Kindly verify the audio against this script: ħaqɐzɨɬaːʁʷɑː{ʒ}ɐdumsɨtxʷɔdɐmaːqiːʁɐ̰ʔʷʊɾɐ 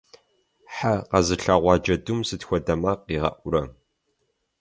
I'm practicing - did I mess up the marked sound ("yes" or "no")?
yes